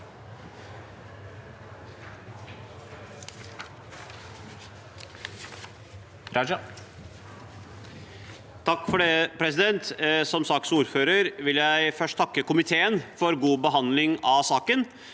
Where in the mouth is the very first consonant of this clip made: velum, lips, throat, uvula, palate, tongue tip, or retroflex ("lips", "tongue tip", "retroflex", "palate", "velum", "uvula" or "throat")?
tongue tip